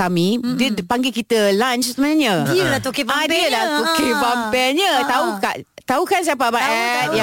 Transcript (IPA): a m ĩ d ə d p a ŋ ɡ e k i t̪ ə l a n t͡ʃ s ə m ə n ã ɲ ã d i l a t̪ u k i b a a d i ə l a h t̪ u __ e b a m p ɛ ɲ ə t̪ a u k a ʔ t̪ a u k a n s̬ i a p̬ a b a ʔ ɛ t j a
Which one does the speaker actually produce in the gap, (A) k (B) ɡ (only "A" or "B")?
A